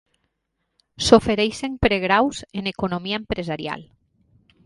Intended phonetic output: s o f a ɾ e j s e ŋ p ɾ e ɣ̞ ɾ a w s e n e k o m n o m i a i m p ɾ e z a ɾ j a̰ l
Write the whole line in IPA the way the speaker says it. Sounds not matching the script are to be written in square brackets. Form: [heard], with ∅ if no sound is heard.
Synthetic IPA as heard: s o f [e] ɾ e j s e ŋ p ɾ e ɣ̞ ɾ a w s e n e k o [∅] n o m i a [e] m p ɾ e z a ɾ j a̰ l